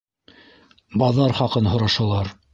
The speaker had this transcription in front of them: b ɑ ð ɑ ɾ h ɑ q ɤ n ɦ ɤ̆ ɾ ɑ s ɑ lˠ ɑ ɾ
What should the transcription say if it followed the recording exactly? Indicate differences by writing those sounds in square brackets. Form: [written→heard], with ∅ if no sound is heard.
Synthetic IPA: b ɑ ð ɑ ɾ [h→χ] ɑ q ɤ n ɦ [ɤ̆→ŏ] ɾ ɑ [s→ʃ] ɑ lˠ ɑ ɾ

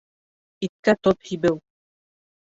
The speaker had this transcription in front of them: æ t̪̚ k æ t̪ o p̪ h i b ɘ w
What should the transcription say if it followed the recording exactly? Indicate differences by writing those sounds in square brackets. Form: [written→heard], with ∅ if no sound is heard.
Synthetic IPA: [æ→i] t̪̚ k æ t̪ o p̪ h i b ɘ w

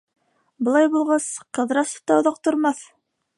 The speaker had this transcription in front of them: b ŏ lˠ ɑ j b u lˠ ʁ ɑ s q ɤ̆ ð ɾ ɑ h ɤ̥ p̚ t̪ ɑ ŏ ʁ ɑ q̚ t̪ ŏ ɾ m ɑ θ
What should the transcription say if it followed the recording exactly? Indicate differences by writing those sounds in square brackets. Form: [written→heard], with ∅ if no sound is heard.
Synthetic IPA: b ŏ lˠ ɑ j b u lˠ ʁ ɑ s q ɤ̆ ð ɾ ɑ [h→s] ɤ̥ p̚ t̪ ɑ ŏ [ʁ→ð] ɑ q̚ t̪ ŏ ɾ m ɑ θ

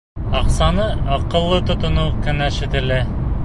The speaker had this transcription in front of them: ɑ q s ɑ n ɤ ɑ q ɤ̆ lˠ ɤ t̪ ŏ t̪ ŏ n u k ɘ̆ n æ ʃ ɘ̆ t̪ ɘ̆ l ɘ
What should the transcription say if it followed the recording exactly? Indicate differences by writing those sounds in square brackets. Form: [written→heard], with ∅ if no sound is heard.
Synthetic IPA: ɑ q s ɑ n ɤ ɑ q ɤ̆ [lˠ→lˠː] ɤ t̪ ŏ t̪ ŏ n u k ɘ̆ n æ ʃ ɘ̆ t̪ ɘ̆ l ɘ

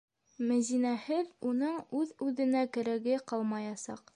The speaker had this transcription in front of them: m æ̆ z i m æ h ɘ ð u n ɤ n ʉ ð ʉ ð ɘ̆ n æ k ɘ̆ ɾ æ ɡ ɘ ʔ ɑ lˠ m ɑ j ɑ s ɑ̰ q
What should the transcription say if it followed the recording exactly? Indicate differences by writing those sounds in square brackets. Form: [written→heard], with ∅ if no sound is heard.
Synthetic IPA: m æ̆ z i [m→n] æ h ɘ ð u n ɤ [n→ɴ] ʉ ð ʉ ð ɘ̆ n æ k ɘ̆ ɾ æ ɡ ɘ [ʔ→q] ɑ lˠ m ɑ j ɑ s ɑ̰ q

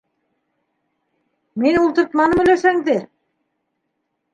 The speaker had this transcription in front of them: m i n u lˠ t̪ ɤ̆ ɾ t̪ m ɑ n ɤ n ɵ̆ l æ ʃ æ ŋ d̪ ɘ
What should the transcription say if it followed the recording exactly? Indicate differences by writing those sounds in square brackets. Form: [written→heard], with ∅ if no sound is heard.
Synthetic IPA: m i n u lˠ t̪ ɤ̆ ɾ t̪ m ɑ n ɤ [n→m] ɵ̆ l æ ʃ æ ŋ d̪ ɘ

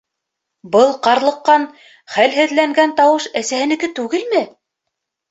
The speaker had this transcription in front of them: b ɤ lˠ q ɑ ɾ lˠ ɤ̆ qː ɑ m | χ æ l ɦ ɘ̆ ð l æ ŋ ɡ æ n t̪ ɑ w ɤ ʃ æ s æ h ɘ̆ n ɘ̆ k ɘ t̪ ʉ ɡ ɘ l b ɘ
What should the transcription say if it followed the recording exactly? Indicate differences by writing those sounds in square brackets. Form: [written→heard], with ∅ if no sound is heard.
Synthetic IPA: b ɤ lˠ q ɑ ɾ lˠ ɤ̆ qː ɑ [m→n] | χ æ l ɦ ɘ̆ ð l æ ŋ ɡ æ n t̪ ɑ w ɤ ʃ æ s æ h ɘ̆ n ɘ̆ k ɘ t̪ ʉ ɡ ɘ l [b→m] ɘ

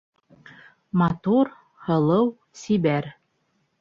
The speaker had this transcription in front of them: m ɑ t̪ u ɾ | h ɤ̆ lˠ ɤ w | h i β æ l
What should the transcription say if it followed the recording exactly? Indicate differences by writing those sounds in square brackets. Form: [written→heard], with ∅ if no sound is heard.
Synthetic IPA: m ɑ t̪ u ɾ | h ɤ̆ lˠ ɤ w | [h→s] i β æ [l→ɾ]

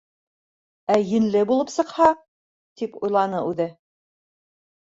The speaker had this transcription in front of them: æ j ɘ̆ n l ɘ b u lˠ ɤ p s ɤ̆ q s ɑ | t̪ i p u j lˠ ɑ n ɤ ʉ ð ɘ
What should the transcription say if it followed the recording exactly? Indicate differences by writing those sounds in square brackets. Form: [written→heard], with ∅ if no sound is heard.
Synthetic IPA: æ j ɘ̆ n l ɘ b u lˠ ɤ p s ɤ̆ q [s→h] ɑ | t̪ i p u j lˠ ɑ n ɤ ʉ ð ɘ

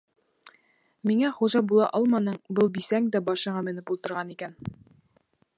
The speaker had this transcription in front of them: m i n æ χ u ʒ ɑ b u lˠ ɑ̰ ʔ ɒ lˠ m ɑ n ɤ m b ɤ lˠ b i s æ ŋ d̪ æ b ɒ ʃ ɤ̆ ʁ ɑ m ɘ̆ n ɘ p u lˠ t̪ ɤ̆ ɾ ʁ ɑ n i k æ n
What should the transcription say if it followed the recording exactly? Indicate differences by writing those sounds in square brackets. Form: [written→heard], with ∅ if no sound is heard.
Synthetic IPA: m i [n→ŋ] æ χ u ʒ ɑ b u lˠ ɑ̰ ʔ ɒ lˠ m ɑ n ɤ [m→ɴ] b ɤ lˠ b i s æ ŋ d̪ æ b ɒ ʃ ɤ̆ ʁ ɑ m ɘ̆ n ɘ p u lˠ t̪ ɤ̆ ɾ ʁ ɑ n i k æ n

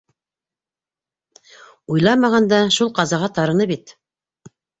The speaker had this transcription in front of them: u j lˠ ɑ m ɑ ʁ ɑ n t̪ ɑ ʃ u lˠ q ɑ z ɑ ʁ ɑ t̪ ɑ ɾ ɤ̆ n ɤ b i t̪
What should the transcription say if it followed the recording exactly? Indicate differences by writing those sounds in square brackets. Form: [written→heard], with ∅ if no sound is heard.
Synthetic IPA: u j lˠ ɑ m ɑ ʁ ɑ n [t̪→d̪] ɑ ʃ u lˠ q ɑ z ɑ ʁ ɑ t̪ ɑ ɾ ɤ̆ n ɤ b i t̪

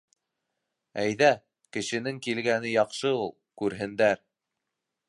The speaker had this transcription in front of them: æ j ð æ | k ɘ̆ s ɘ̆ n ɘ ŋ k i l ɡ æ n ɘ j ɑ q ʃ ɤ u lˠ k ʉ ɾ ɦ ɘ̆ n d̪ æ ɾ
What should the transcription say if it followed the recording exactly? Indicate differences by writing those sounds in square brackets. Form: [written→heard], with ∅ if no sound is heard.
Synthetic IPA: æ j ð æ | k ɘ̆ [s→ʃ] ɘ̆ n ɘ ŋ k i l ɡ æ n ɘ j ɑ q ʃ ɤ u lˠ k ʉ ɾ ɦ ɘ̆ n d̪ æ ɾ

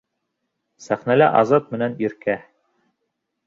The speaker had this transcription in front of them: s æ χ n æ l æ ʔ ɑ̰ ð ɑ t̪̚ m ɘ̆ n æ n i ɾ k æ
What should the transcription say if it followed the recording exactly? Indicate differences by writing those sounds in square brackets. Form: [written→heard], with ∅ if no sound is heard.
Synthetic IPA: s æ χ n æ l æ ʔ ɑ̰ [ð→z] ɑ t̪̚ m ɘ̆ n æ n i ɾ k æ

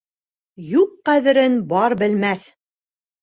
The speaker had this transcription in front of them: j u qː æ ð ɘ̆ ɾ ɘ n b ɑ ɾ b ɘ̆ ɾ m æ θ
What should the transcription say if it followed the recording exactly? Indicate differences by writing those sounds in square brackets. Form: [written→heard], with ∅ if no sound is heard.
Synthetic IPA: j u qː æ ð ɘ̆ ɾ ɘ n b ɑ ɾ b ɘ̆ [ɾ→l] m æ θ

